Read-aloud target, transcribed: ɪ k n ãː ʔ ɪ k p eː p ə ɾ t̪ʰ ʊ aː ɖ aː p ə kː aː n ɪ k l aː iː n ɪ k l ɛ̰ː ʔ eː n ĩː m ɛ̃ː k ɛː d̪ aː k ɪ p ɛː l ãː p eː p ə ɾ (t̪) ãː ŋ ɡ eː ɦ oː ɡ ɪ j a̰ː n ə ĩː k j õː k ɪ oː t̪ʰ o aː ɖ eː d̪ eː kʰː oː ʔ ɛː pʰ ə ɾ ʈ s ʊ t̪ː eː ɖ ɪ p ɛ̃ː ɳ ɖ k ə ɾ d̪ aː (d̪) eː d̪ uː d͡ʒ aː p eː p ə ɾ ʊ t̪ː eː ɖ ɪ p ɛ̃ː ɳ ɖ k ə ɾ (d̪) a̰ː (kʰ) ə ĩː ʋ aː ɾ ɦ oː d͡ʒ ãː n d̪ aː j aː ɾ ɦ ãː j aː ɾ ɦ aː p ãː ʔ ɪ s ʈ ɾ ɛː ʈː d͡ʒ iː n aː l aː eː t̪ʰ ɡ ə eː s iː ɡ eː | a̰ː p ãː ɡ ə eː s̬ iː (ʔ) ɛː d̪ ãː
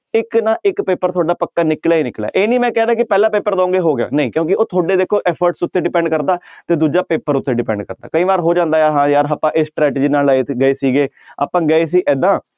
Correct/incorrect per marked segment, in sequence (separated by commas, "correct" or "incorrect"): incorrect, incorrect, correct, incorrect, correct